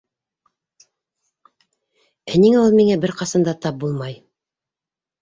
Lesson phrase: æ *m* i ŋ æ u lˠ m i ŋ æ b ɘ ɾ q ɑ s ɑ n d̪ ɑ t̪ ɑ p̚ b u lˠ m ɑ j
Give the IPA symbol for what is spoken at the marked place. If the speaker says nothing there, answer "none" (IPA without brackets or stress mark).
n